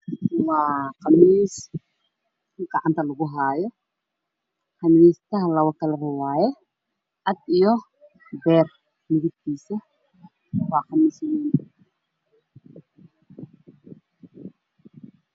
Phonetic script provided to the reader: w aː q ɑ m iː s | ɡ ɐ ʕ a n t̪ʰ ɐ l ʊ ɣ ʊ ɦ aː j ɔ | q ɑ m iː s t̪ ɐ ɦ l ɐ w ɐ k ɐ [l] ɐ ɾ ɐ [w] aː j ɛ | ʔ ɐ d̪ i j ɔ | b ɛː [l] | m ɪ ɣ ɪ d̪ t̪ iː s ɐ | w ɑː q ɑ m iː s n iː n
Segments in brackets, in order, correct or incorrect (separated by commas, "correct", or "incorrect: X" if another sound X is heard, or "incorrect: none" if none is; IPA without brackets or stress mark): correct, correct, incorrect: r